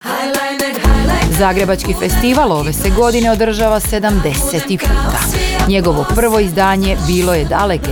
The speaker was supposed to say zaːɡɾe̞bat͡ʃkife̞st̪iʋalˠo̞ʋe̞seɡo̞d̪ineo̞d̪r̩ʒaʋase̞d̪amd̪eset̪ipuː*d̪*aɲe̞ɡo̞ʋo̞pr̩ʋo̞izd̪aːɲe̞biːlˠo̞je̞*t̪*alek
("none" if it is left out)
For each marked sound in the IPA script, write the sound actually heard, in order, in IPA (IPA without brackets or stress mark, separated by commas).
t̪, d̪